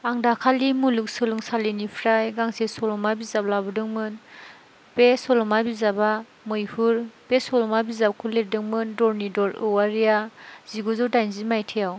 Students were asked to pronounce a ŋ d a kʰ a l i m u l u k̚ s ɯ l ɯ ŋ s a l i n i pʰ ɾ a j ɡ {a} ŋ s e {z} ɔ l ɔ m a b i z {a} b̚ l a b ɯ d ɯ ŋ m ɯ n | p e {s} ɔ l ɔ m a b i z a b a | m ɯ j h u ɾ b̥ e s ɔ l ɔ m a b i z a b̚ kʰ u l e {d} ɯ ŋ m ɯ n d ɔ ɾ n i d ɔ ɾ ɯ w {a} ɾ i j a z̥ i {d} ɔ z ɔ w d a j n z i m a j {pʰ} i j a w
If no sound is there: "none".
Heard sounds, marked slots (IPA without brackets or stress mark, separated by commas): a, s, a, s, d, a, ɡ, tʰ